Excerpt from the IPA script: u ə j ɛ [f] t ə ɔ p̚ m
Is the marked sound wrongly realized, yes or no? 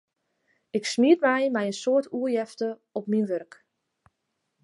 no